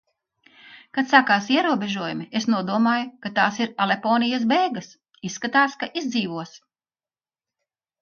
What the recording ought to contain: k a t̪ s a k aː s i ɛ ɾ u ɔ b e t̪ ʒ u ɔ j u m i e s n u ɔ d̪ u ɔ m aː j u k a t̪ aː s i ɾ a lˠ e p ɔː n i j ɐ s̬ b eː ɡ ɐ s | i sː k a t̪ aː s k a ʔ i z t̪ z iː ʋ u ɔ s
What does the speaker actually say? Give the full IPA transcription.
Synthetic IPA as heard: k a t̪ s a k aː s i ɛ ɾ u ɔ b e ʒ u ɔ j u m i e s n u ɔ d̪ u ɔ m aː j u k a t̪ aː s i ɾ a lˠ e p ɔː n i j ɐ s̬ b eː ɡ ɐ s | i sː k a t̪ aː s k a ʔ i z d̪ z iː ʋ u ɔ s